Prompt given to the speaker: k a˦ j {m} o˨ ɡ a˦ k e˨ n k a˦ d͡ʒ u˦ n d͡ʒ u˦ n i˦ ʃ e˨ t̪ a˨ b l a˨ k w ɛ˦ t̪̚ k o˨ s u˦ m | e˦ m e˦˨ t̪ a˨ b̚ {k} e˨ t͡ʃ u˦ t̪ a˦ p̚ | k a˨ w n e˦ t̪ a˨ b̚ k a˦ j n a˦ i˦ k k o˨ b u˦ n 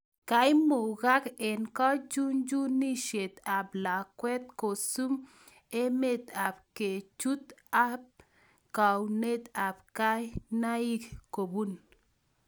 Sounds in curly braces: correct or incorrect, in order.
correct, correct

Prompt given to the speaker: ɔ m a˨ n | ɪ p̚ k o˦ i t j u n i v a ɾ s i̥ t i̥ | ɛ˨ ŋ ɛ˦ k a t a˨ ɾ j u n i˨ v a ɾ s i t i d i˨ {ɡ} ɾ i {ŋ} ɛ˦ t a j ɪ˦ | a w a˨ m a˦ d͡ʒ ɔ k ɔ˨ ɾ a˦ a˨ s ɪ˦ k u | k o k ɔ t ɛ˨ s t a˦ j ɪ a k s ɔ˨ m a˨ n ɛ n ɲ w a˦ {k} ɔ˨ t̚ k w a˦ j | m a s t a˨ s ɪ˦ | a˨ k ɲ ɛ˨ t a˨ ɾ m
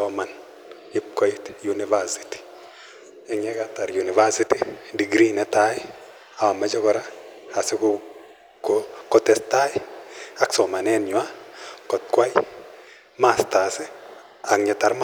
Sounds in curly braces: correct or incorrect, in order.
correct, incorrect: n, correct

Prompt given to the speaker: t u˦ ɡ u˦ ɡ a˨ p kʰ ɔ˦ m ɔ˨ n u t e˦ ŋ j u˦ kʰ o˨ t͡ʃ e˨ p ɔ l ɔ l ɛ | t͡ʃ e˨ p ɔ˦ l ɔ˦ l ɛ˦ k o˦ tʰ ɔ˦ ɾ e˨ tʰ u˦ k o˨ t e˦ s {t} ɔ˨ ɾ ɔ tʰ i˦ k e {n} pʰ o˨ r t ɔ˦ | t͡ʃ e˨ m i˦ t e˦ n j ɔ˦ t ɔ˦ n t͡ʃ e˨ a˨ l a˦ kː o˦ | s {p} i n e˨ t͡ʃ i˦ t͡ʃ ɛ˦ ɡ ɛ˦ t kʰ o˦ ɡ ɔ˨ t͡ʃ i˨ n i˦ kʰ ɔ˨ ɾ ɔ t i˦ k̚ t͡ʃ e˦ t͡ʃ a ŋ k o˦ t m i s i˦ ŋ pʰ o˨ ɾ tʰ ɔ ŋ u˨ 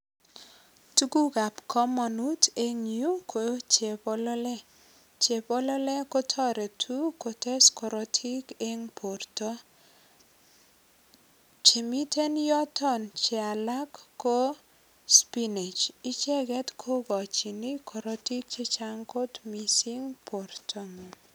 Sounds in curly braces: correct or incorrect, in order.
incorrect: k, incorrect: ŋ, correct

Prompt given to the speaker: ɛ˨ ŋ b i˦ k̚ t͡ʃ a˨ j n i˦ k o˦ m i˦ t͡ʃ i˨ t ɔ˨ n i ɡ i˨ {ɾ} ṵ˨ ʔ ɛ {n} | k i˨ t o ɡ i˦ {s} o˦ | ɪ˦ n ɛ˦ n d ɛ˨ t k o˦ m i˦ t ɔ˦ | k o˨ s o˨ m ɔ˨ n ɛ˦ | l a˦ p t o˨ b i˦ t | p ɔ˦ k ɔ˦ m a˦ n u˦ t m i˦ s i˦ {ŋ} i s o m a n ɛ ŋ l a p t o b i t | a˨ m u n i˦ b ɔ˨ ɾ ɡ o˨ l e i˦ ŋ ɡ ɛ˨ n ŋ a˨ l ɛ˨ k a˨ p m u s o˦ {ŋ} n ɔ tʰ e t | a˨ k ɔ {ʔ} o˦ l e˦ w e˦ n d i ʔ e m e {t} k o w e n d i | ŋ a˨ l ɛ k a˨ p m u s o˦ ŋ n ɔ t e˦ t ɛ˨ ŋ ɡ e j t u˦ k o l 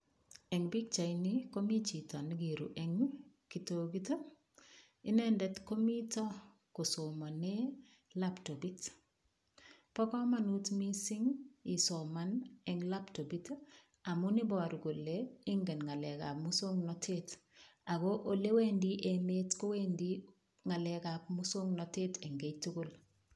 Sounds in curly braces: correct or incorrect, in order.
correct, incorrect: ŋ, incorrect: t, correct, correct, correct, correct

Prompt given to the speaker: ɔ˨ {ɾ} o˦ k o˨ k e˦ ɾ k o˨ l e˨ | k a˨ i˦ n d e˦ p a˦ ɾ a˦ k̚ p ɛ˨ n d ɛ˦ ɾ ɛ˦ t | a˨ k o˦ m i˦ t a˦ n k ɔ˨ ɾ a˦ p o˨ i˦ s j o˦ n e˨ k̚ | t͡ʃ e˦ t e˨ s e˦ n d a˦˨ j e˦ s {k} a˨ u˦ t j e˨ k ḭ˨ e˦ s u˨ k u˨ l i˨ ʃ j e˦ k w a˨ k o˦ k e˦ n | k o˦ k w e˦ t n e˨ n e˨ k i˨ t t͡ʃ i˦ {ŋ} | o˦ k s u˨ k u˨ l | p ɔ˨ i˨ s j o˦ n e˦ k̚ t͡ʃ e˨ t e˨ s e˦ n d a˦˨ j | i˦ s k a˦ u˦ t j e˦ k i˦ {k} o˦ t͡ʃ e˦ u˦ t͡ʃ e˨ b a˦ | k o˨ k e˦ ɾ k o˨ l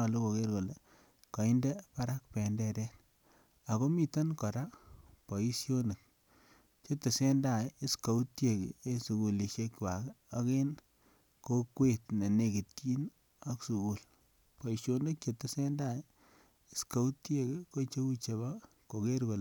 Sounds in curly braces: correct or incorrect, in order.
incorrect: l, correct, incorrect: n, correct

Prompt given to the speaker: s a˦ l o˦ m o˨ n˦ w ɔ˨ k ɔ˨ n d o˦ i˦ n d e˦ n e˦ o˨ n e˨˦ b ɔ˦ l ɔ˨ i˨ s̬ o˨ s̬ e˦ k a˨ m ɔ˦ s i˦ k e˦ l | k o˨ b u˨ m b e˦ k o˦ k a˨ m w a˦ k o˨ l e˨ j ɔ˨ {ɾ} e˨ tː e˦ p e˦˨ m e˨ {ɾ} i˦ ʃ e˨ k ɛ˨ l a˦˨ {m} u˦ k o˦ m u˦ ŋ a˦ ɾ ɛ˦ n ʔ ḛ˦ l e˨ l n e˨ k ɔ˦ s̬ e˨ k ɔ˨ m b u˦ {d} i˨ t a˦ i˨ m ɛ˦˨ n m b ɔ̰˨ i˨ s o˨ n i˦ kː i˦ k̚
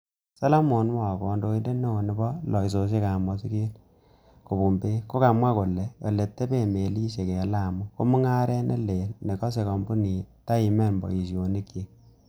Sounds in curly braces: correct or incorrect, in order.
incorrect: l, incorrect: l, correct, incorrect: n

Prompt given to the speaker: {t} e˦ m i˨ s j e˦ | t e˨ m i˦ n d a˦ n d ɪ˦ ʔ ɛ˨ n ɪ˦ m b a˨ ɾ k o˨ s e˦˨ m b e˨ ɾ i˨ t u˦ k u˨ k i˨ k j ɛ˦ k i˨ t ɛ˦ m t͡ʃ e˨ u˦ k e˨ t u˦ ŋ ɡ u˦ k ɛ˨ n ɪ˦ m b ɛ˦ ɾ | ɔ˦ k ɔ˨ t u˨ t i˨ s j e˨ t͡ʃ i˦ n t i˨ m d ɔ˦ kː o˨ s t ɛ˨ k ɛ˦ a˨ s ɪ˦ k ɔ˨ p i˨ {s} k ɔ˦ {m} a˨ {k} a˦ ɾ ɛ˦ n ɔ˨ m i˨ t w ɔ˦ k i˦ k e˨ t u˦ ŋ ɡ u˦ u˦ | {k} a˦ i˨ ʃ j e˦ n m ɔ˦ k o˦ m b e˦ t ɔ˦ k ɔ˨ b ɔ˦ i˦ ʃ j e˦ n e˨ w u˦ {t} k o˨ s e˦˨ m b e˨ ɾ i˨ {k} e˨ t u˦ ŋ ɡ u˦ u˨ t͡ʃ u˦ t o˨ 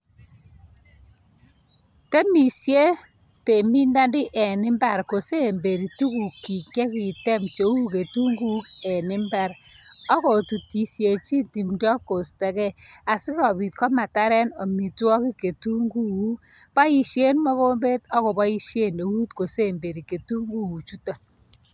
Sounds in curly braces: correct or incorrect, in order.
correct, incorrect: t, correct, incorrect: t, incorrect: p, correct, correct

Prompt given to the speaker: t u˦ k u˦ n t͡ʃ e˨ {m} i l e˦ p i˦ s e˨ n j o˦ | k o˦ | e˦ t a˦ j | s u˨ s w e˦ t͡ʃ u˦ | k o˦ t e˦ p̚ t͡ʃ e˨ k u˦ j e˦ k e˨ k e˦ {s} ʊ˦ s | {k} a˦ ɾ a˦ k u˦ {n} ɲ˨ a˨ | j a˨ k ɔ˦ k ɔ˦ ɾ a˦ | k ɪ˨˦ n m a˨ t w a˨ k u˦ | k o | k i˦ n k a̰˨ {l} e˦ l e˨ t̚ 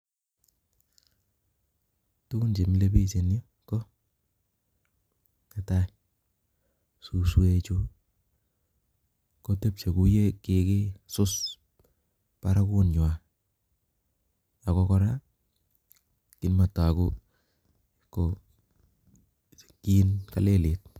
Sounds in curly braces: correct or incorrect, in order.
correct, correct, incorrect: p, correct, correct

